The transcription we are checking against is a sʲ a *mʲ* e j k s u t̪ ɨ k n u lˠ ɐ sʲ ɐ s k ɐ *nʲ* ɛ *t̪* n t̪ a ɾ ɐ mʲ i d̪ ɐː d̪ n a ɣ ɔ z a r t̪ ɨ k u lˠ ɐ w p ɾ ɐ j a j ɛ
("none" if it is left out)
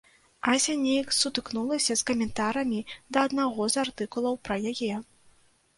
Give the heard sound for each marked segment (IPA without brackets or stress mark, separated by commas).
nʲ, mʲ, none